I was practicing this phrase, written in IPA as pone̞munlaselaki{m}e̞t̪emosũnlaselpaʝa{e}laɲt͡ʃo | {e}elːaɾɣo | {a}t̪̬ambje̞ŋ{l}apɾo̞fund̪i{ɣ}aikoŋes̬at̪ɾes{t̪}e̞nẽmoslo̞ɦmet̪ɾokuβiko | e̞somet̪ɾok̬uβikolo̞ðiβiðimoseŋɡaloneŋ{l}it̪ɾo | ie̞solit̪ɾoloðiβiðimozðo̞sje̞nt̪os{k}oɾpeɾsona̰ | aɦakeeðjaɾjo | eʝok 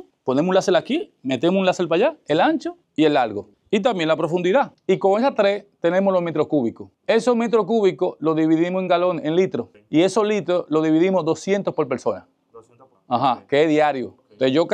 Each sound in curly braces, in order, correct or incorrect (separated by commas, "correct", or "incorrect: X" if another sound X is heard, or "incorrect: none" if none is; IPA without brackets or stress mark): correct, correct, incorrect: i, incorrect: i, correct, incorrect: ð, correct, correct, incorrect: p